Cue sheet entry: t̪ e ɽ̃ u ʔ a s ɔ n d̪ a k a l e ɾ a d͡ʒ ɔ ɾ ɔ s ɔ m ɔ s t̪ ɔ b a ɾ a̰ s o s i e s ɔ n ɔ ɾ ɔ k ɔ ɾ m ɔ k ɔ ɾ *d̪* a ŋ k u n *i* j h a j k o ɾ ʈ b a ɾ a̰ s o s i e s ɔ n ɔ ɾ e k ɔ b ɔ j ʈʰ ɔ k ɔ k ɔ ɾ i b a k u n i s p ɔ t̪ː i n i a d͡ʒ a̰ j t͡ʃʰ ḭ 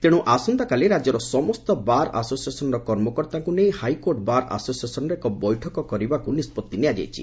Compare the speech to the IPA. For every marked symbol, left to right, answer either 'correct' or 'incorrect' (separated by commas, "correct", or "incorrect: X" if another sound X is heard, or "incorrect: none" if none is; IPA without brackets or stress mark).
incorrect: t̪, incorrect: e